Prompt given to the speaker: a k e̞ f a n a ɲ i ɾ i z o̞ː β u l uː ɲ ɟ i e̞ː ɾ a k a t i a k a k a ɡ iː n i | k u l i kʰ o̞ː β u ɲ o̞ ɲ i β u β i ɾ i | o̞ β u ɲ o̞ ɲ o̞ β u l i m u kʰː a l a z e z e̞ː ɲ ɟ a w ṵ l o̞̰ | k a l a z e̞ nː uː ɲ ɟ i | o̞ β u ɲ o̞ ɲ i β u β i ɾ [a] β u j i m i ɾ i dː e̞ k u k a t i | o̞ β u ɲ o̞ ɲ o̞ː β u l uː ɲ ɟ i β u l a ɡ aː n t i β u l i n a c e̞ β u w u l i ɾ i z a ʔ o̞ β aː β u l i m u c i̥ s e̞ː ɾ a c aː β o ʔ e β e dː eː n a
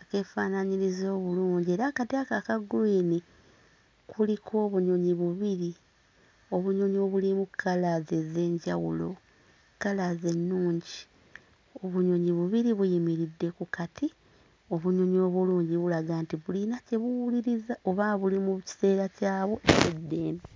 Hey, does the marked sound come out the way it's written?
no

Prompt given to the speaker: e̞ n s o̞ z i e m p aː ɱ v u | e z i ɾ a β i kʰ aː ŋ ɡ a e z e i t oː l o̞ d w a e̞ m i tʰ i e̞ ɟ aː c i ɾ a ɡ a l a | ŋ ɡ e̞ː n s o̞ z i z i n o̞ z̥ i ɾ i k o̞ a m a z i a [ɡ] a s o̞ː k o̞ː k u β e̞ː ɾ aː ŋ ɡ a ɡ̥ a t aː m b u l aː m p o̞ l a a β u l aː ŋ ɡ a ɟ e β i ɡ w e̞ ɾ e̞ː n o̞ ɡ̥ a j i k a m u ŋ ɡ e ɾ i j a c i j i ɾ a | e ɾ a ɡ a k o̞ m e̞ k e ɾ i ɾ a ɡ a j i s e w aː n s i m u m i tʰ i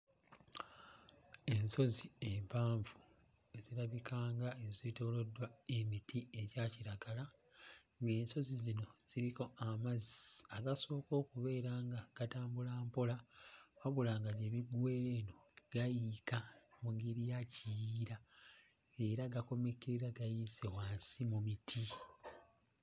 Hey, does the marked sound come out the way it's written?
yes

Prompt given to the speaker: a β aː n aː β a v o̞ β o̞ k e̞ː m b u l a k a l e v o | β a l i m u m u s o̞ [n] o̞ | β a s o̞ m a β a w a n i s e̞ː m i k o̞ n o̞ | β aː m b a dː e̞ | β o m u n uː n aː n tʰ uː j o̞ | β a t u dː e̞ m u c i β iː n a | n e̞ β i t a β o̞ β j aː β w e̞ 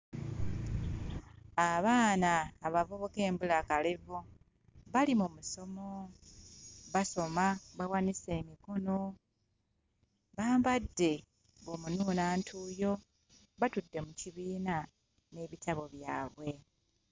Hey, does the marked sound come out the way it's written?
no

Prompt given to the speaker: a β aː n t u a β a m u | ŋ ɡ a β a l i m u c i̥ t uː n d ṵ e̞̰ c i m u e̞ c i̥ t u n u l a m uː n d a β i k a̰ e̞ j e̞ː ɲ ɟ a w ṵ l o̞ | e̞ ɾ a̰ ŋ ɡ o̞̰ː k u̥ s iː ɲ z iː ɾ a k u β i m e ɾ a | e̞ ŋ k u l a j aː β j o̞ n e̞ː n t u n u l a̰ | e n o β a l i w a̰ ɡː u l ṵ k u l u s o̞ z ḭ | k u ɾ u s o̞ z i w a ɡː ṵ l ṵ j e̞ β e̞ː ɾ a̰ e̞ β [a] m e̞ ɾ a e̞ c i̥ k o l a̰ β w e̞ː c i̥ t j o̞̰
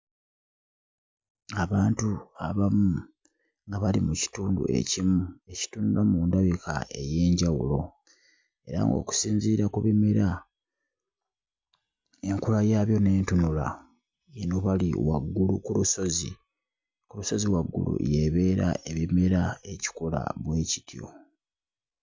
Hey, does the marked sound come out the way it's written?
no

